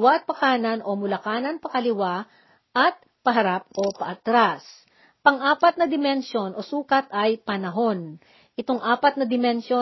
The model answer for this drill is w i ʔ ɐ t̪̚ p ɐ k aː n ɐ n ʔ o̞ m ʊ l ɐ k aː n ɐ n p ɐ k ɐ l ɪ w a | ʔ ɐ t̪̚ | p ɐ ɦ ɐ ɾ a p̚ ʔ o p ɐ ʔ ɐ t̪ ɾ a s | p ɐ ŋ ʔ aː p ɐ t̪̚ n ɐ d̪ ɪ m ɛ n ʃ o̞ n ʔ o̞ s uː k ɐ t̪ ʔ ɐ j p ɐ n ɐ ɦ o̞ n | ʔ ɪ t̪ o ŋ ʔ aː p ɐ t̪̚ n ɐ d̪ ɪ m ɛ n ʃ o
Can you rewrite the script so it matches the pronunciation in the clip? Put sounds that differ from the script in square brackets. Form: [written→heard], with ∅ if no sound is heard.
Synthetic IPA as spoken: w [i→a] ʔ ɐ t̪̚ p ɐ k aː n ɐ n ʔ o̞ m ʊ l ɐ k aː n ɐ n p ɐ k ɐ l ɪ w a | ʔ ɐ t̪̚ | p ɐ ɦ ɐ ɾ a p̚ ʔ o p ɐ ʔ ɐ t̪ ɾ a s | p ɐ ŋ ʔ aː p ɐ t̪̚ n ɐ d̪ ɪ m ɛ n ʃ o̞ n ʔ o̞ s uː k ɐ t̪ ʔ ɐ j p ɐ n ɐ ɦ o̞ n | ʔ ɪ t̪ o ŋ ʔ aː p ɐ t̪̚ n ɐ d̪ ɪ m ɛ n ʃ o